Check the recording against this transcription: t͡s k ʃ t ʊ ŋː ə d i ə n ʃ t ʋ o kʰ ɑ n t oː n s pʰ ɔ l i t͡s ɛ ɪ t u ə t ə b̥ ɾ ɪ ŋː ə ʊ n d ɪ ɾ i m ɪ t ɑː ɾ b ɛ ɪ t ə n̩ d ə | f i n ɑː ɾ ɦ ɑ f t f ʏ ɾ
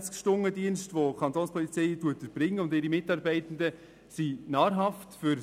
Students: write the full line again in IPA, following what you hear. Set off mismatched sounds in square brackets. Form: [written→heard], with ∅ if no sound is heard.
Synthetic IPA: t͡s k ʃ t ʊ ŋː ə d i ə n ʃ t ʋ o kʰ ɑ n t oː n s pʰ ɔ l i t͡s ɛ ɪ t u ə t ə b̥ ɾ ɪ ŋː ə ʊ n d ɪ ɾ i m ɪ t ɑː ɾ b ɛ ɪ t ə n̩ d ə | [f→s] i n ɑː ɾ ɦ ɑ f t f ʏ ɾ